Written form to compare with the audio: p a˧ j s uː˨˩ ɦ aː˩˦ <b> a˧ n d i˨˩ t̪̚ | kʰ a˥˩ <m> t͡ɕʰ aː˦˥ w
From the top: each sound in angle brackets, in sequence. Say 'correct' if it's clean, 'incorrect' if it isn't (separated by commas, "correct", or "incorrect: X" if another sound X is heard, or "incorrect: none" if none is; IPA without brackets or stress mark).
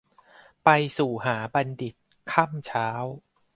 correct, correct